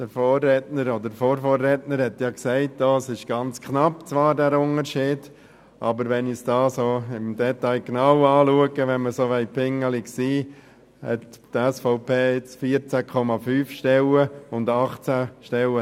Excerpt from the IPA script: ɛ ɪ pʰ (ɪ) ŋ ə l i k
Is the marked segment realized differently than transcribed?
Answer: no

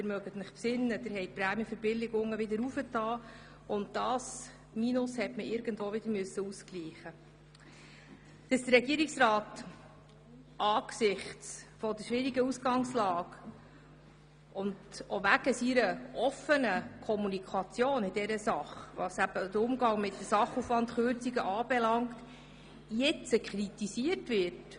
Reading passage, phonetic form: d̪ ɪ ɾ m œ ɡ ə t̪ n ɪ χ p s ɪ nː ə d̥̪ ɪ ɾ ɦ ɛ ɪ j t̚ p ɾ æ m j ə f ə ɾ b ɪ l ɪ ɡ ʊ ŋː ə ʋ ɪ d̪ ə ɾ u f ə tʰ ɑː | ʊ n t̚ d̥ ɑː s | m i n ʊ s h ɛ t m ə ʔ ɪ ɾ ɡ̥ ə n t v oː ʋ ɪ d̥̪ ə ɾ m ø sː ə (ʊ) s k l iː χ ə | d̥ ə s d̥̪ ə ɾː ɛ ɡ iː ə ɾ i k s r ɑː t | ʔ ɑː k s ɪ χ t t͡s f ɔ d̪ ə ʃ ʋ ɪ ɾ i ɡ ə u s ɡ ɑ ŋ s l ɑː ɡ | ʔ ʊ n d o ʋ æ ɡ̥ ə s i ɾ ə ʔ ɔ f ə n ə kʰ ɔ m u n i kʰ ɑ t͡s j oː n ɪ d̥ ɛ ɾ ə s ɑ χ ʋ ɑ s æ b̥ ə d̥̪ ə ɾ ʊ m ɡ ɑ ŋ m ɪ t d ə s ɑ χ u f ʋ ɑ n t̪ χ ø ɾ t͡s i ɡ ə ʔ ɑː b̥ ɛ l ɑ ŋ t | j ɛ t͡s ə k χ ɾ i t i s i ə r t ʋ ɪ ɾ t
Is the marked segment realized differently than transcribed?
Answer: yes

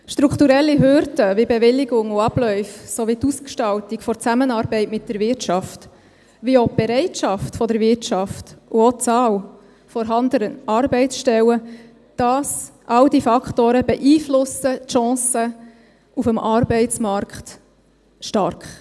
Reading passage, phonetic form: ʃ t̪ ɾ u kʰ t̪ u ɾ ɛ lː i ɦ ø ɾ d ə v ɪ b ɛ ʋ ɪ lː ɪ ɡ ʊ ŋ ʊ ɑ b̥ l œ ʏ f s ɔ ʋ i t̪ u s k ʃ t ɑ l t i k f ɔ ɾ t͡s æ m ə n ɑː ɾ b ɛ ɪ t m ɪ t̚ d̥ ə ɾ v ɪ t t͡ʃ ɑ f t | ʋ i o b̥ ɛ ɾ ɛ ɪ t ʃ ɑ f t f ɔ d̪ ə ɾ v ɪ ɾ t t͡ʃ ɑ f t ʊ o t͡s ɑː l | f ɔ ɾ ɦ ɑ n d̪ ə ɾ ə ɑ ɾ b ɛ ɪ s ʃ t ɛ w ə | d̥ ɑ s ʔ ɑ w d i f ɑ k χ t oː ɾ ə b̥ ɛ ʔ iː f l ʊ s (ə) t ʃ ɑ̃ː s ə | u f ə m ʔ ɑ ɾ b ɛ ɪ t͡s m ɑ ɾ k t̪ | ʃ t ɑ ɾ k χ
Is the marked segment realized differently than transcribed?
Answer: no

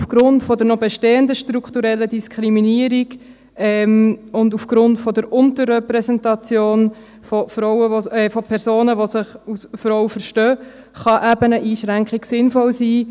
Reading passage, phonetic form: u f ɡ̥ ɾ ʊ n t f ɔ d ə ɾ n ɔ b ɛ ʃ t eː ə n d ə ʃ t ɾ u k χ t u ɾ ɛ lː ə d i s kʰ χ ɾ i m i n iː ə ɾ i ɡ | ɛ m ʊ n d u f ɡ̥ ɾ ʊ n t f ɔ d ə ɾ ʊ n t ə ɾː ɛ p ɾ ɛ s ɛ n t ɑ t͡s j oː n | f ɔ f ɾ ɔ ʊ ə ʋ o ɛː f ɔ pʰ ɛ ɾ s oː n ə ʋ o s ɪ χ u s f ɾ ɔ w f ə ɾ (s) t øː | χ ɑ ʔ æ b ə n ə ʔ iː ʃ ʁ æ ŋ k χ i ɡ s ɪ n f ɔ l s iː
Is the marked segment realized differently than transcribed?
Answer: yes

